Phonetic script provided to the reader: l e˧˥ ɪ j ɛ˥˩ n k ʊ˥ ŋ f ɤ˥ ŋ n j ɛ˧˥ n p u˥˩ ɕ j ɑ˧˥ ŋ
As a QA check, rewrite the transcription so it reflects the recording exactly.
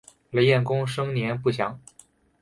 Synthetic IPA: l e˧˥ ɪ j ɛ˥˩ n k ʊ˥ ŋ ʂ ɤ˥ ŋ n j ɛ˧˥ n p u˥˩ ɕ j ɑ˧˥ ŋ